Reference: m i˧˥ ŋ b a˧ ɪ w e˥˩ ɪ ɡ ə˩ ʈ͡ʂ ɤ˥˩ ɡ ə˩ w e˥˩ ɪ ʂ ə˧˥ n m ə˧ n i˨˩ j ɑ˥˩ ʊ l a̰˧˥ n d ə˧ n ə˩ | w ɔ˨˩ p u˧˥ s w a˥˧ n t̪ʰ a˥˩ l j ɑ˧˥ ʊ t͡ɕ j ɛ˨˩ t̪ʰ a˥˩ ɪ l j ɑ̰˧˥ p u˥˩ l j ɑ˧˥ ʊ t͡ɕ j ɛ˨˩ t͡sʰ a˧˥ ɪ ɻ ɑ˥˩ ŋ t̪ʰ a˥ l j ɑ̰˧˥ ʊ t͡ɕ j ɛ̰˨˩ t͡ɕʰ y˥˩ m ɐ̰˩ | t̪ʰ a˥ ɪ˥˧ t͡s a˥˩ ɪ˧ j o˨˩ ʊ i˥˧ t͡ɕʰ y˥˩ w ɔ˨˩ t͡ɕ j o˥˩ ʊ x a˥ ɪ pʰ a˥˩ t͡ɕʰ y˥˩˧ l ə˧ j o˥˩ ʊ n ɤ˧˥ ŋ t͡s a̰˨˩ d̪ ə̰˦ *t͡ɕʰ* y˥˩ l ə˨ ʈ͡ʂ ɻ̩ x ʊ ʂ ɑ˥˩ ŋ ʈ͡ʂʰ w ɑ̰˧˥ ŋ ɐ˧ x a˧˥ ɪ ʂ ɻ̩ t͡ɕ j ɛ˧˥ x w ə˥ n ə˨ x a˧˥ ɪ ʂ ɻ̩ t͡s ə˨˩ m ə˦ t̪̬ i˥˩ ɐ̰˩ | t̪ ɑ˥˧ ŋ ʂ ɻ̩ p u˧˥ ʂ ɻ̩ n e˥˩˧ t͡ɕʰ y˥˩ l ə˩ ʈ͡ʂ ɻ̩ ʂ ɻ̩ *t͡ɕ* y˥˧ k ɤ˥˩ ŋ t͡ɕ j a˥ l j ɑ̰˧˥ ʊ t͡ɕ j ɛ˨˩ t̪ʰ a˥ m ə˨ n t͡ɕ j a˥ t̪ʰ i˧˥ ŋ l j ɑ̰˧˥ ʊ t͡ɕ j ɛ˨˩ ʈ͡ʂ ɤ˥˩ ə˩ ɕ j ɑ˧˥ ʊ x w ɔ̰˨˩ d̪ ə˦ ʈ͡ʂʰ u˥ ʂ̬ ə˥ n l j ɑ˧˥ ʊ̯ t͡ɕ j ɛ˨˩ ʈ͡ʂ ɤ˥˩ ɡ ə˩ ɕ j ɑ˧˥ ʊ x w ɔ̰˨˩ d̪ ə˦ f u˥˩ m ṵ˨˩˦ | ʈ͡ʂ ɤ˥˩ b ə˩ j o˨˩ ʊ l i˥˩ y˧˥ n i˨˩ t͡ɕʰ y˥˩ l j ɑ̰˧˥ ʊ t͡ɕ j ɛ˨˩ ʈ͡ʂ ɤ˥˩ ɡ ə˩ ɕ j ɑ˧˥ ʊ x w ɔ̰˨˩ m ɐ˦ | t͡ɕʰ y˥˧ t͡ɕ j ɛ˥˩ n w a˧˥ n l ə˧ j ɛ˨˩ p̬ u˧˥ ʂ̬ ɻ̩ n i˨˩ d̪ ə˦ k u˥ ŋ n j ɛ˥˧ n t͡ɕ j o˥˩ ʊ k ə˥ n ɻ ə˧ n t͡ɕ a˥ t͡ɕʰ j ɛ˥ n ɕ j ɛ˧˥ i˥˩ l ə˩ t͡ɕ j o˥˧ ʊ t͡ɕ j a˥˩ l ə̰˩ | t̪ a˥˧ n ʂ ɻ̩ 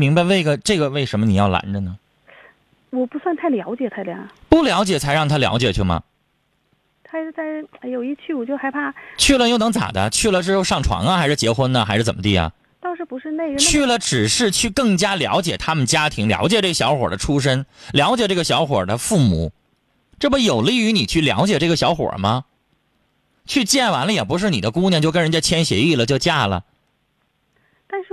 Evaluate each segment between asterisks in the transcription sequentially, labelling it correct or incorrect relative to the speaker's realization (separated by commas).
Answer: correct, incorrect